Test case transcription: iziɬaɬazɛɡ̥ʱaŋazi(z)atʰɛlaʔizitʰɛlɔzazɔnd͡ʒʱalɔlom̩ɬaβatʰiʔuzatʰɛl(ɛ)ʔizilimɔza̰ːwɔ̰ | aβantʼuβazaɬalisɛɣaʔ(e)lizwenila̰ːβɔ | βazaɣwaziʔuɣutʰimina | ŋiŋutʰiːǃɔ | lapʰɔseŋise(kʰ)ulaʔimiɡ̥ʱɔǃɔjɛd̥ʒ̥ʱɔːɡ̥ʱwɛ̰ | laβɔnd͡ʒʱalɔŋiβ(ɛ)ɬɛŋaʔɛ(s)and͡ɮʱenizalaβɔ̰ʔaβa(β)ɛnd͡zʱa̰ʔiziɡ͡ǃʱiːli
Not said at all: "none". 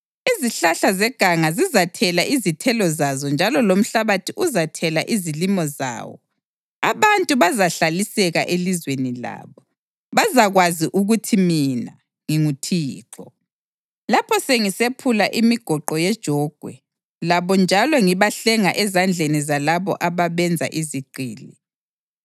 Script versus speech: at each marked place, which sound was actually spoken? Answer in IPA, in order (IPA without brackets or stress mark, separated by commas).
z, a, e, pʰ, a, z, β